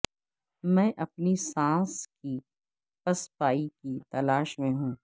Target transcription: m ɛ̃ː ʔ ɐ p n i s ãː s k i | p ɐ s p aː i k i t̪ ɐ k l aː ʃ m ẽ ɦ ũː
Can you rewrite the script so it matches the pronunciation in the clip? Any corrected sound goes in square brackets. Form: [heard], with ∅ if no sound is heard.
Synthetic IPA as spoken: m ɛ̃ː ʔ ɐ p n i s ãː s k i | p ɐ s p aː i k i t̪ ɐ [∅] l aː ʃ m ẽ ɦ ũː